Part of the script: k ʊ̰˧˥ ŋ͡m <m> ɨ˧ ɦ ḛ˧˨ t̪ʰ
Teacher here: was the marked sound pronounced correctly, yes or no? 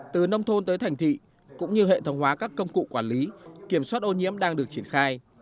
no